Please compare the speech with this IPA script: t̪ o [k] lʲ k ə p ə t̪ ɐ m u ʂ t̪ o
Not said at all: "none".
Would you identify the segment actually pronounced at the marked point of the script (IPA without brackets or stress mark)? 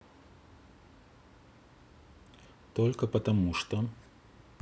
none